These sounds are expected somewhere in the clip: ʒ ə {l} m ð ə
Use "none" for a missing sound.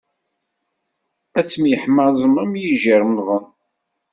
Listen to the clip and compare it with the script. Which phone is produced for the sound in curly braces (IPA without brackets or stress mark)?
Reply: ɾ